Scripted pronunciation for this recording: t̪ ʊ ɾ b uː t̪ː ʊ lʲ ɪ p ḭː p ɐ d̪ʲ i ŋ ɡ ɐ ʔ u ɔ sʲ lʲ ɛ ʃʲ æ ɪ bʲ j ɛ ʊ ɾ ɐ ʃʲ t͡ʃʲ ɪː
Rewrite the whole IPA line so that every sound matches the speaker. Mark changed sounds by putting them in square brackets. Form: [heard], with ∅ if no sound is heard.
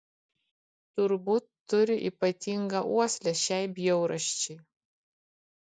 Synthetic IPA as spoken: t̪ ʊ ɾ b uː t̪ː ʊ [ɾʲ] ɪ [ʔ] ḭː p ɐ [t̪ʲ] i ŋ ɡ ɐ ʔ u ɔ sʲ lʲ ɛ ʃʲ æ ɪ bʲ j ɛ ʊ ɾ ɐ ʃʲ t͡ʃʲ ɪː